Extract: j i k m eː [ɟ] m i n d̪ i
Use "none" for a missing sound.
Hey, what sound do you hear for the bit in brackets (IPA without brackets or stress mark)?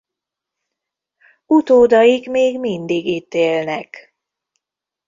ɡ